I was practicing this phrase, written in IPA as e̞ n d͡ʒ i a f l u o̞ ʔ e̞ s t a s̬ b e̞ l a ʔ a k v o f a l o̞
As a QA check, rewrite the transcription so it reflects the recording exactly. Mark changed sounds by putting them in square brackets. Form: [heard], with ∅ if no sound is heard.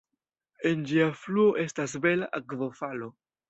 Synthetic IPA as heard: e̞ n d͡ʒ i a f l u o̞ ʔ e̞ s t a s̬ b e̞ l a ʔ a k v o f a l o̞